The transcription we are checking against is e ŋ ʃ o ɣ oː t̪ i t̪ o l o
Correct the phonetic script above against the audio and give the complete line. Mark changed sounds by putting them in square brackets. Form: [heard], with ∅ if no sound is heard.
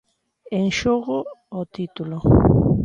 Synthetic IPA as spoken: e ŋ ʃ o ɣ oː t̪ i t̪ [u] l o

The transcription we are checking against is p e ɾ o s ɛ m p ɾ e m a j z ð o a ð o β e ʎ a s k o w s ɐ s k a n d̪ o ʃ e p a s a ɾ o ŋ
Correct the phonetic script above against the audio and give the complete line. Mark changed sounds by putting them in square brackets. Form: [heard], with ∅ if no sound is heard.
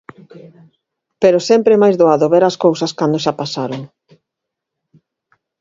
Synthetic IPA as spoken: p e ɾ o s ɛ m p ɾ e m a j z ð o a ð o β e [ɾ] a s k o w s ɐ s k a n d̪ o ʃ [a] p a s a ɾ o ŋ

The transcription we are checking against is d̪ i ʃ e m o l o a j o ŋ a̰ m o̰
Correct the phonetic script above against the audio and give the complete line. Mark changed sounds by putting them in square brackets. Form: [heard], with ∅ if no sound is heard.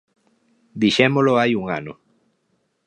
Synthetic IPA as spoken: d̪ i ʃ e m o l o a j [u] ŋ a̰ [n] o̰

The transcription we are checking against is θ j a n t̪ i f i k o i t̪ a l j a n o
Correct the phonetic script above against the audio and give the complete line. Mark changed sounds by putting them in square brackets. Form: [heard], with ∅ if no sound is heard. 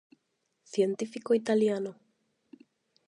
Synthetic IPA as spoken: θ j [e] n t̪ i f i k o i t̪ a l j a n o

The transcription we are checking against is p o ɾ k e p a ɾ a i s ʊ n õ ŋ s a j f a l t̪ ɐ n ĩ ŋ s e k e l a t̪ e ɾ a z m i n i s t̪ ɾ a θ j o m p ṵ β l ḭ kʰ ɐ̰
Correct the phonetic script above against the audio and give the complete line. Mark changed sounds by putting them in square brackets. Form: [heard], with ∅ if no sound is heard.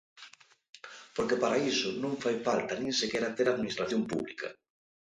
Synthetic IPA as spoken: p o ɾ k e p a ɾ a i s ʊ n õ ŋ [f] a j f a l t̪ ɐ n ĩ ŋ s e k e [ɾ] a t̪ e ɾ a [ð] m i n i s t̪ ɾ a θ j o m p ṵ β l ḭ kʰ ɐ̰

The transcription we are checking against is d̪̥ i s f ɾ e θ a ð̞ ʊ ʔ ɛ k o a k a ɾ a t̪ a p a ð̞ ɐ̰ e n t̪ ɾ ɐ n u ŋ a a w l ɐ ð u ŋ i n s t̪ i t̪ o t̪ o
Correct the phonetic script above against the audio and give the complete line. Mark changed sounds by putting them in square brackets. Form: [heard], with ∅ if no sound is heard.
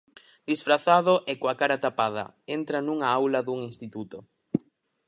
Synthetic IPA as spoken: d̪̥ i s f ɾ [a] θ a ð̞ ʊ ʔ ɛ k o a k a ɾ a t̪ a p a ð̞ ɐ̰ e n t̪ ɾ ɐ n u ŋ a a w l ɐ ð u ŋ i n s t̪ i t̪ [u] t̪ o

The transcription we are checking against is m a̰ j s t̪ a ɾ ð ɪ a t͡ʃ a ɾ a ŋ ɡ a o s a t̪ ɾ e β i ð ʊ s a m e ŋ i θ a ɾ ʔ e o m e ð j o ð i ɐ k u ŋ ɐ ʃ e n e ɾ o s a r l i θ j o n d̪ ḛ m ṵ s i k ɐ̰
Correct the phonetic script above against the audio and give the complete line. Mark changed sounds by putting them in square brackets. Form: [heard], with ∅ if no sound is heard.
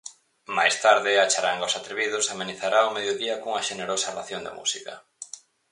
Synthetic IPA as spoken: m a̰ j s t̪ a ɾ ð ɪ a t͡ʃ a ɾ a ŋ ɡ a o s a t̪ ɾ e β i ð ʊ s a m e [n] i θ a ɾ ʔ [a] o m e ð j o ð i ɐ k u ŋ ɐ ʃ e n e ɾ o s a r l [a] θ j o n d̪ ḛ m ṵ s i k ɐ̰

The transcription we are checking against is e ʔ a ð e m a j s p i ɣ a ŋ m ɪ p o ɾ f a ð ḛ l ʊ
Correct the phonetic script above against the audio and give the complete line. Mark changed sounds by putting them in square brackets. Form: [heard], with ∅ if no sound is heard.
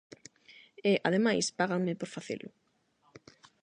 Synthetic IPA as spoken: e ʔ a ð e m a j s p [a] ɣ a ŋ m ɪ p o ɾ f a [θ] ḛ l ʊ

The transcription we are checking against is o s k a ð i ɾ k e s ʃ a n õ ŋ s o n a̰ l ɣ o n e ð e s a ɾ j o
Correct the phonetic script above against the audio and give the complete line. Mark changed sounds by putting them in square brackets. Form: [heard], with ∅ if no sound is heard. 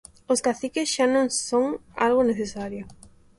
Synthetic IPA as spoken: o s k a [θ] i [∅] k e s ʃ a n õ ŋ s o [ŋ] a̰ l ɣ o n e [θ] e s a ɾ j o

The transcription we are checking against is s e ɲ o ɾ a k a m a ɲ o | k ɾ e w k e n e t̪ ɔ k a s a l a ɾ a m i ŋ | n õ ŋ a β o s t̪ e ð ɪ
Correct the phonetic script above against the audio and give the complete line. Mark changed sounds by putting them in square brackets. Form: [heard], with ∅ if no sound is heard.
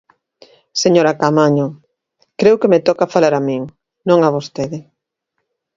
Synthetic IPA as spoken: s e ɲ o ɾ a k a m a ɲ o | k ɾ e w k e [m] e t̪ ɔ k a [f] a l a ɾ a m i ŋ | n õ ŋ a β o s t̪ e ð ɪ

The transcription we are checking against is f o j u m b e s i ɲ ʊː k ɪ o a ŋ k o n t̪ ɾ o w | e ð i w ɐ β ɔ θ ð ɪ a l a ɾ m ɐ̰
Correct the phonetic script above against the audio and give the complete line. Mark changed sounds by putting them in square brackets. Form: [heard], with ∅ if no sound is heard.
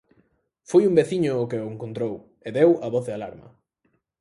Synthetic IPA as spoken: f o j u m b e [θ] i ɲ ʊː k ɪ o [e] ŋ k o n t̪ ɾ o w | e ð [e] w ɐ β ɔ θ ð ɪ a l a ɾ m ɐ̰

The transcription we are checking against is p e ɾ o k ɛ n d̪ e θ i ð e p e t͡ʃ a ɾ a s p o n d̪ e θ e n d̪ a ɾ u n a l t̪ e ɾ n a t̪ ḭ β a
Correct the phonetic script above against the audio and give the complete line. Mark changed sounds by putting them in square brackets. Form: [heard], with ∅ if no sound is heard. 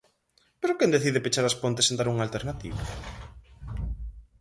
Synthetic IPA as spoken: p e ɾ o k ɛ n d̪ e θ i ð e p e t͡ʃ a ɾ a s p o n [t̪] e [s] e n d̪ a ɾ u [ŋ] a l t̪ e ɾ n a t̪ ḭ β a

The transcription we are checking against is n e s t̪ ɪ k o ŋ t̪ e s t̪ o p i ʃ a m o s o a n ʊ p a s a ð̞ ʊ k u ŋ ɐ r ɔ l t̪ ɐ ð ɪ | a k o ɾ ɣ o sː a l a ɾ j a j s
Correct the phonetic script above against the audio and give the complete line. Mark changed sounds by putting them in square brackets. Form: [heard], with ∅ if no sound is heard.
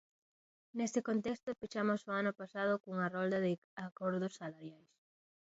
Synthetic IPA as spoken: n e s t̪ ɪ k o [n] t̪ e s t̪ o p i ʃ a m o s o a n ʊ p a s a ð̞ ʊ k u ŋ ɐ r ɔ l [d̪] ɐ ð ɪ | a k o ɾ [ð] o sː a l a ɾ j a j s

